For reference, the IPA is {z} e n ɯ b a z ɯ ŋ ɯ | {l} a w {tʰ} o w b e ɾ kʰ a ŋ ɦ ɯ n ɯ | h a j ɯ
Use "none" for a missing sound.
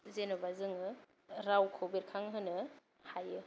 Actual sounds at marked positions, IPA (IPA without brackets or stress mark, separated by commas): z, ɾ, kʰ